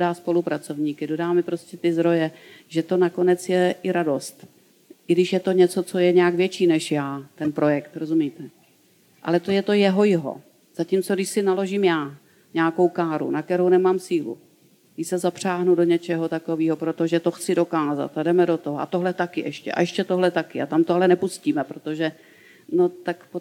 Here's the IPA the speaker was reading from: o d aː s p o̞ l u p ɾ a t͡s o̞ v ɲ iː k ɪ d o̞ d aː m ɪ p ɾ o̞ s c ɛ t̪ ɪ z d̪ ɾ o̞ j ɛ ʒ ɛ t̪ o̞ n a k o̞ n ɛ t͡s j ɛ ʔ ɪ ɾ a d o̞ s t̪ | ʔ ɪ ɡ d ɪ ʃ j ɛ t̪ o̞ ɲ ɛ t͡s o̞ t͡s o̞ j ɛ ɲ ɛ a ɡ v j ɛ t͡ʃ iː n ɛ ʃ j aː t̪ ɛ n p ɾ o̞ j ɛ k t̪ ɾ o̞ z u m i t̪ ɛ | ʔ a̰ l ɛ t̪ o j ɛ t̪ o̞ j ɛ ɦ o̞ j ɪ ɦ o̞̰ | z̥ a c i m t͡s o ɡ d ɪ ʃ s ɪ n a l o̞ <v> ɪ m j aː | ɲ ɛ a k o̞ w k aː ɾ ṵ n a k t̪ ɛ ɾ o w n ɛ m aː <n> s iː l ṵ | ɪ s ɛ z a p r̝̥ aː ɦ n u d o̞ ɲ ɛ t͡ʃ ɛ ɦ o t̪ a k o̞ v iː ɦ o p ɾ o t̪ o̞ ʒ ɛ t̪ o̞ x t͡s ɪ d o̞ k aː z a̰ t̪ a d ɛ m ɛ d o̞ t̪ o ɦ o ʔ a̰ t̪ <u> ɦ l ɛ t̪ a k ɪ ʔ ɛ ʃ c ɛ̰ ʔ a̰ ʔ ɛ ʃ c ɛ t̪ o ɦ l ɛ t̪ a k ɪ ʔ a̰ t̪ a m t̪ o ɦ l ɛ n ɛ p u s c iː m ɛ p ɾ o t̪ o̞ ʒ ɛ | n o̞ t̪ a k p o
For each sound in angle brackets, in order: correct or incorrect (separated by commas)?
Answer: incorrect, incorrect, incorrect